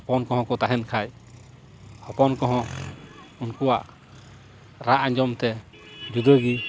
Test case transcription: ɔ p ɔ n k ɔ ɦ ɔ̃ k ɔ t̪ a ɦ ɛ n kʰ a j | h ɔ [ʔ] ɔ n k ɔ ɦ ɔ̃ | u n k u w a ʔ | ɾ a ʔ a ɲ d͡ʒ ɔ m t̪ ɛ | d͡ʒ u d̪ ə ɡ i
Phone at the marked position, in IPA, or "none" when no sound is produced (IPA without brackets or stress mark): p